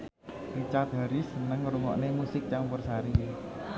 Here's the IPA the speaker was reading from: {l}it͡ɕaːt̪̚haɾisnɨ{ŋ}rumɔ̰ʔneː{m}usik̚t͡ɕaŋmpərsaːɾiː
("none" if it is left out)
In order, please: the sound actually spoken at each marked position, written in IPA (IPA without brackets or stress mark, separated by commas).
r, ŋ, m